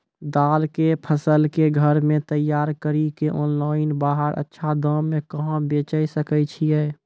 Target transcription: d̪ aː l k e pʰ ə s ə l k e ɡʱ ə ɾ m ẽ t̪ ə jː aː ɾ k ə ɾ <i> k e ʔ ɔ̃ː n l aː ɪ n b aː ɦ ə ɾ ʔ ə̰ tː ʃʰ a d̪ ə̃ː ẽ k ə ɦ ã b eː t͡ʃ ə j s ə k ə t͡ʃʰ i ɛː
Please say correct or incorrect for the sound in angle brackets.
correct